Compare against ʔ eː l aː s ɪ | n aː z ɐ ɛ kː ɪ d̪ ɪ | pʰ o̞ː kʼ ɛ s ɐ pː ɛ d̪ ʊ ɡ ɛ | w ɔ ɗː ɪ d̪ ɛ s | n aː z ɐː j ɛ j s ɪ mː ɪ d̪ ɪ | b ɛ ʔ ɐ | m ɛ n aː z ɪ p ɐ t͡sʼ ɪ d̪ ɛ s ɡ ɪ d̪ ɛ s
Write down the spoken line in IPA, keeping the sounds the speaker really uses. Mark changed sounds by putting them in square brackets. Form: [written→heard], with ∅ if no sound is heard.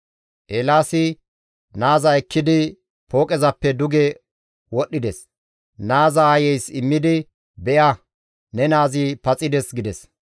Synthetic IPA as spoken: ʔ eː l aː s ɪ | n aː z ɐ ɛ kː ɪ d̪ ɪ | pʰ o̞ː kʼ ɛ [s→z] ɐ pː ɛ d̪ ʊ ɡ ɛ | w ɔ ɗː ɪ d̪ ɛ s | n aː z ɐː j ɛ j s ɪ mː ɪ d̪ ɪ | b ɛ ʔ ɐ | [m→n] ɛ n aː z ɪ p ɐ t͡sʼ ɪ d̪ ɛ s ɡ ɪ d̪ ɛ s